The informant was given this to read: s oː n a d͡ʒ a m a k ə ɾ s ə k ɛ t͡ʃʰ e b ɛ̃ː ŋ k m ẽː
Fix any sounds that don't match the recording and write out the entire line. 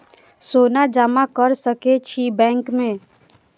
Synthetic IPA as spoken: s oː n a d͡ʒ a m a k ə ɾ s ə k e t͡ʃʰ i b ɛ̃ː ŋ k m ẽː